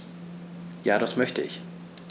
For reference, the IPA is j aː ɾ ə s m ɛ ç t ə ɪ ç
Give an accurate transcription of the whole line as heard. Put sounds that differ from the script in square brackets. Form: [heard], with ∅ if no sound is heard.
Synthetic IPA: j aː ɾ [a] s m [œ] ç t ə ɪ ç